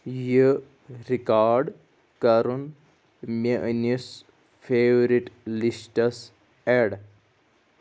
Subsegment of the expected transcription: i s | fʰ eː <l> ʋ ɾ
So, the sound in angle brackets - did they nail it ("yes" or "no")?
no